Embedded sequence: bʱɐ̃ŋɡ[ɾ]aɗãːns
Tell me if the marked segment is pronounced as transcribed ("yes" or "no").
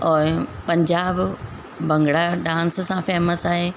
no